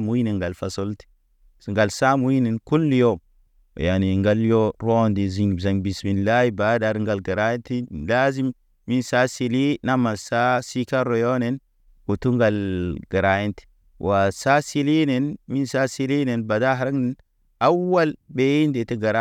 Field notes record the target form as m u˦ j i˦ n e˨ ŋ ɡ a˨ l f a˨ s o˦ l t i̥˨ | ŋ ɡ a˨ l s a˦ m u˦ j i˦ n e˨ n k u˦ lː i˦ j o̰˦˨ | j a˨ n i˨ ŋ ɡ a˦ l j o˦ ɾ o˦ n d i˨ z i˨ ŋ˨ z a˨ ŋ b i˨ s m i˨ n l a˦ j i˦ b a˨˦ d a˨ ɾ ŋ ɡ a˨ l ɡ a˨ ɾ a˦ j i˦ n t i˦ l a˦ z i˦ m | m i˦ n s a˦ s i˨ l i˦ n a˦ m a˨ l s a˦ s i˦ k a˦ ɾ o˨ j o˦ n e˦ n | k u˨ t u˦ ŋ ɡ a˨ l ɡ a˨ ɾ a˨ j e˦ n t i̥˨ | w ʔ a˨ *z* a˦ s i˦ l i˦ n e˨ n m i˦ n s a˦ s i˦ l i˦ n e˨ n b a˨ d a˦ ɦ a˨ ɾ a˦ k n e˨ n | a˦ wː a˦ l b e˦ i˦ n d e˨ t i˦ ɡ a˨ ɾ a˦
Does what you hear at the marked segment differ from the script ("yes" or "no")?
yes